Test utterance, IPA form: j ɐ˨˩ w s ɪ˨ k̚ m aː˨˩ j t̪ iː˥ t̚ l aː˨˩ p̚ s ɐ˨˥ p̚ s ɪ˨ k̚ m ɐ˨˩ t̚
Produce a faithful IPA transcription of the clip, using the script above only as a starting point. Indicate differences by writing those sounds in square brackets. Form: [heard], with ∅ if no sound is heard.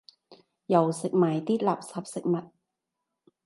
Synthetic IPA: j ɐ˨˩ w s ɪ˨ k̚ m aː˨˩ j t̪ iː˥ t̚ l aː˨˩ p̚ s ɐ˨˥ p̚ s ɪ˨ k̚ m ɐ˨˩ t̚